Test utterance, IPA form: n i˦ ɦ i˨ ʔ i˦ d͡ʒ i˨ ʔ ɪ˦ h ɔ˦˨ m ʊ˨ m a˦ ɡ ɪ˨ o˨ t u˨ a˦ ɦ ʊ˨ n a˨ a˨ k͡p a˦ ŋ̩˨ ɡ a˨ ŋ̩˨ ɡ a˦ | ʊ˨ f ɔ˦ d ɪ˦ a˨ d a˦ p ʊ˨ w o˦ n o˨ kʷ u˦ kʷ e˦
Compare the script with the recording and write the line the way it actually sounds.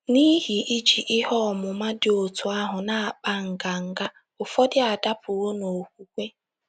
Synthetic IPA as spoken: n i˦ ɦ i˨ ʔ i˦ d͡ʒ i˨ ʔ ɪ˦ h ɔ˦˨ m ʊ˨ m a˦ d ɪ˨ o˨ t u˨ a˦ ɦ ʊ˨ n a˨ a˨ k͡p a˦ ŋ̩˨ ɡ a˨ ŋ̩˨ ɡ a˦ | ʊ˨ f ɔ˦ d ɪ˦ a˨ d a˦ p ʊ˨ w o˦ n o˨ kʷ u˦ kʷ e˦

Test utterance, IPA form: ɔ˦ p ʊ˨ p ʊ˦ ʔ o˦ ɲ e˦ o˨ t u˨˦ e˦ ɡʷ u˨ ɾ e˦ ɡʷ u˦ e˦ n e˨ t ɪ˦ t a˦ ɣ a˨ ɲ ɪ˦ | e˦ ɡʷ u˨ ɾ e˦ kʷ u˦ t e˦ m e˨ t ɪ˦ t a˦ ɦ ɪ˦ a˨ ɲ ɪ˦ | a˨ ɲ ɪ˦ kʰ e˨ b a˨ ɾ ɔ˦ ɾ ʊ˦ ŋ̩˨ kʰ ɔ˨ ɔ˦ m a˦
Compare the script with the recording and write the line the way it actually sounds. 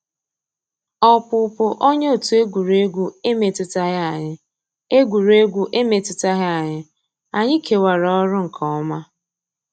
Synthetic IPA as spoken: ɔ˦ p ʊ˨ p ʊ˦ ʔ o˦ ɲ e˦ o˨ t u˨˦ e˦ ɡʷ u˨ ɾ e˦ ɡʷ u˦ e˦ m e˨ t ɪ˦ t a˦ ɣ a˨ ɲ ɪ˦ | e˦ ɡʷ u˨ ɾ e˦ ɡʷ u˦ ʔ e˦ m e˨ t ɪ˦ t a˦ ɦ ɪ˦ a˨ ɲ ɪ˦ | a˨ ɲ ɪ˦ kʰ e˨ w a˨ ɾ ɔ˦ ɾ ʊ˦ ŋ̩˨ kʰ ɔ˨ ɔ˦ m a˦

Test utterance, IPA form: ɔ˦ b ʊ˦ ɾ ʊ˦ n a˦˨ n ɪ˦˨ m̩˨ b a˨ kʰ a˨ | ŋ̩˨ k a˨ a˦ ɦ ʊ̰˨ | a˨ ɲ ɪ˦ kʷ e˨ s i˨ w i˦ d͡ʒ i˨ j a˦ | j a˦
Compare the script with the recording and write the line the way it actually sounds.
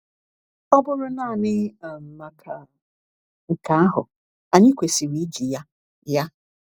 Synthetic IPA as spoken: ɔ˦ b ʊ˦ ɾ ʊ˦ n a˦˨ n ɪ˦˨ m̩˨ m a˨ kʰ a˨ | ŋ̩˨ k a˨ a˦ ɦ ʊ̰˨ | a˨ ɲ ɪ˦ kʷ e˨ s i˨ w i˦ d͡ʒ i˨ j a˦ | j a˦

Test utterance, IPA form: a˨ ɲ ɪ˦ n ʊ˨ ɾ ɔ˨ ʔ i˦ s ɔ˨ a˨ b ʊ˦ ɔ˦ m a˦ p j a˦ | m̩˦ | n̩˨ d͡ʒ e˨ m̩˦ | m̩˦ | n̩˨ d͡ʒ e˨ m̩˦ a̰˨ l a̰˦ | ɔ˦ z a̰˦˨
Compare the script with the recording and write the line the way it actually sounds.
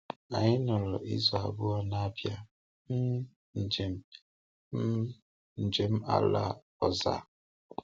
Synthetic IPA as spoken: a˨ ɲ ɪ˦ n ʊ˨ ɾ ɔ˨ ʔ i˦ z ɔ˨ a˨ b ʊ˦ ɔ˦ n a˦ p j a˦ | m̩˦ | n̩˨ d͡ʒ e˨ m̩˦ | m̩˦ | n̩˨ d͡ʒ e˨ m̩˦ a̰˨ l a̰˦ | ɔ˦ z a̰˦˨

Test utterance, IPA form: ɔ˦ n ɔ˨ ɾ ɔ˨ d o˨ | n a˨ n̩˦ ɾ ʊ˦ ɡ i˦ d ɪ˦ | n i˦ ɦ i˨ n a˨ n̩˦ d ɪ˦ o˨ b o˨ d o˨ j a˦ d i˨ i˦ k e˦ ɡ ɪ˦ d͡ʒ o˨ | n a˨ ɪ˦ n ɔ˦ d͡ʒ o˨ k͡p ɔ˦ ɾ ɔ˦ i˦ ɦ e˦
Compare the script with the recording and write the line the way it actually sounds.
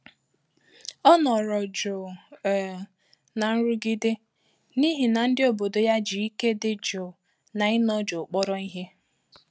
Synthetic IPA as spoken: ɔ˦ n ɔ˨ ɾ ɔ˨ d͡ʒ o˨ | n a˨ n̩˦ ɾ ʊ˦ ɡ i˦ d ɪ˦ | n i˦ ɦ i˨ n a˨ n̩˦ d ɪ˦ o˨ b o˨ d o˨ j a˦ d͡ʒ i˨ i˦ k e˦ d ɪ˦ d͡ʒ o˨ | n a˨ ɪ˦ n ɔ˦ d͡ʒ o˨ k͡p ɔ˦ ɾ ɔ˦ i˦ ɦ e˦

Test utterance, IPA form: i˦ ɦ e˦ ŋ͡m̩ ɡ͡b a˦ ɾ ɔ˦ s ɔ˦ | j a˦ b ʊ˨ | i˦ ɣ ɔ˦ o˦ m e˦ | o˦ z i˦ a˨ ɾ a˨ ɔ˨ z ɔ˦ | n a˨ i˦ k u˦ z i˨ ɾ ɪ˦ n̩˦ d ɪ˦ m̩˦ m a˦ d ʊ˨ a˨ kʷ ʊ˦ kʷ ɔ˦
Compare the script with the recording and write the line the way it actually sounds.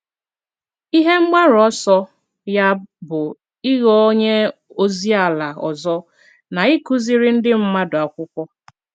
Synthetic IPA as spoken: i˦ ɦ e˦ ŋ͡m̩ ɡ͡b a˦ ɾ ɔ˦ s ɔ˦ | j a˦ b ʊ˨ | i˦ ɣ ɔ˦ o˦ ɲ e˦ | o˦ z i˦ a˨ l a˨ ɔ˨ z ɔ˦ | n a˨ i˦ k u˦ z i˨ ɾ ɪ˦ n̩˦ d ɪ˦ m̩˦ m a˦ d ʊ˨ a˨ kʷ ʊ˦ kʷ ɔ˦

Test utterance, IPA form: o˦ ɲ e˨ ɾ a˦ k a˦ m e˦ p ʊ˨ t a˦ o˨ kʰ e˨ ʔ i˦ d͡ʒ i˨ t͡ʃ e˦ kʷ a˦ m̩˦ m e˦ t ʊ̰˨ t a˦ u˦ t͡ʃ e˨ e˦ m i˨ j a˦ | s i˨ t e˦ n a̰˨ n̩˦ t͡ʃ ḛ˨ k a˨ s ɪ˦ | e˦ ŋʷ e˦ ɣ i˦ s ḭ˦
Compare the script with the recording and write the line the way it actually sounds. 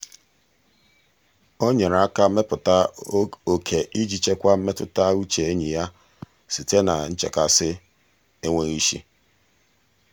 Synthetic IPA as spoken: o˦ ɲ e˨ ɾ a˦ k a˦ m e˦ p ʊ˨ t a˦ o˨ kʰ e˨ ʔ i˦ d͡ʒ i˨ t͡ʃ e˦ kʷ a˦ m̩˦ m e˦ t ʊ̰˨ t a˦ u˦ t͡ʃ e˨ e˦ ɲ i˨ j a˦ | s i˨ t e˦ n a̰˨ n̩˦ t͡ʃ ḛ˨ k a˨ s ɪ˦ | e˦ ŋʷ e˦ ɣ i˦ ʃ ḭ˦

